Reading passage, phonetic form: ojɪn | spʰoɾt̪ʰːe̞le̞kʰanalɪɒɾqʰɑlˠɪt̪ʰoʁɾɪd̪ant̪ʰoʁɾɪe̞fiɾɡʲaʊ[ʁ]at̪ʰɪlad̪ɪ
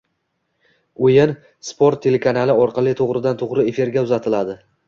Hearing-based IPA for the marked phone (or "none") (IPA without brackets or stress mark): z